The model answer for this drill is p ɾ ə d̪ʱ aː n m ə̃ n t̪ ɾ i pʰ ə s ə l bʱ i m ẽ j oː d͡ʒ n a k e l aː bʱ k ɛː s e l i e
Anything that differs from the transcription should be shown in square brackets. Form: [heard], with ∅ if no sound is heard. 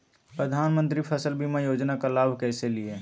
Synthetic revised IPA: p ɾ ə d̪ʱ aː n m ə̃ n t̪ ɾ i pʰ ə s ə l bʱ i m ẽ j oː d͡ʒ n a k [a] l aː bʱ k ɛː s e l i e